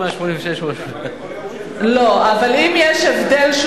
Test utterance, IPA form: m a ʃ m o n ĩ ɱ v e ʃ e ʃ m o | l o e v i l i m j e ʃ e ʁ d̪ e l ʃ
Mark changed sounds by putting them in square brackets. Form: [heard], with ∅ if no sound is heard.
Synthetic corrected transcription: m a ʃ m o n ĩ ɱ v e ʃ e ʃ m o | l o [a] v [a] l i m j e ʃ e [v] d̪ e l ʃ